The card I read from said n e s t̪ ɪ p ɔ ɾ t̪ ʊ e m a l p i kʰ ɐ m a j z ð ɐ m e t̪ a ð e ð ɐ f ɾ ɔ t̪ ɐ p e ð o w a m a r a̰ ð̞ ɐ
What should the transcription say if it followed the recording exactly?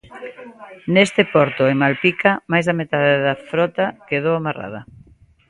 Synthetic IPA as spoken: n e s t̪ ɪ p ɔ ɾ t̪ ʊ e m a l p i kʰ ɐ m a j z ð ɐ m e t̪ a ð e ð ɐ f ɾ ɔ t̪ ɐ k e ð o w a m a r a̰ ð̞ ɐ